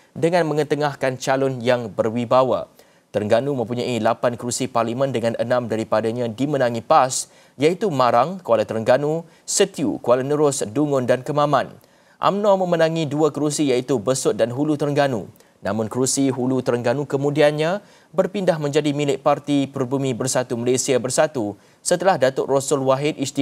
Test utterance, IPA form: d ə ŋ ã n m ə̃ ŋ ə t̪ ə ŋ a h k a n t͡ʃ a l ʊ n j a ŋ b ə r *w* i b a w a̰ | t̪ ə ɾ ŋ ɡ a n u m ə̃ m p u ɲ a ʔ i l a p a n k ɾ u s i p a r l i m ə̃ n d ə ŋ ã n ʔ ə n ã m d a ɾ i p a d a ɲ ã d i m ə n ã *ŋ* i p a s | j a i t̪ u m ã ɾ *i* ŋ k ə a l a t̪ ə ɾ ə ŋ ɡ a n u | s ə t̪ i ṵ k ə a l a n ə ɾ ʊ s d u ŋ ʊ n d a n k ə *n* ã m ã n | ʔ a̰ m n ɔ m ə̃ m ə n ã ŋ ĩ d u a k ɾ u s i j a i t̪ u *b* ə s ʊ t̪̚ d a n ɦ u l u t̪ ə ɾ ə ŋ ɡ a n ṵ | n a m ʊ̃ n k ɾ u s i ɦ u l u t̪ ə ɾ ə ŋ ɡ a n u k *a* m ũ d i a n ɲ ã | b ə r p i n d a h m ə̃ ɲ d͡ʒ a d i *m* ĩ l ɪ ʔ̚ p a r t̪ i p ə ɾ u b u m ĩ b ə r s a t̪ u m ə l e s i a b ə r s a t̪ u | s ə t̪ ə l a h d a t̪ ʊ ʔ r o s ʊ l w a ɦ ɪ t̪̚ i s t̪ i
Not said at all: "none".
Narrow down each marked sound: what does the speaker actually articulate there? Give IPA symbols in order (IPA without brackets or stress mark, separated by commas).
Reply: w, ŋ, a, m, b, ə, m